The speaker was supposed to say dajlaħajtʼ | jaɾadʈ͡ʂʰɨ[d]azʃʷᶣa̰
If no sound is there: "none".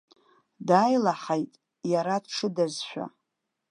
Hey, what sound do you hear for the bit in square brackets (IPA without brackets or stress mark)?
d